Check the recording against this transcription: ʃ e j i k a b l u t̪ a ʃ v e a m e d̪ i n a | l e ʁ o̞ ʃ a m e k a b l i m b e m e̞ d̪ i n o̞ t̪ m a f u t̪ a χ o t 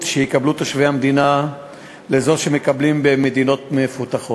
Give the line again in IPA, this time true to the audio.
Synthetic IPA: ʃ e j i k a b l u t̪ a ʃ v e a m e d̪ i n a | l e z o̞ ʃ e m e k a b l i m b e m e̞ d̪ i n o̞ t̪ m e f u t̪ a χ o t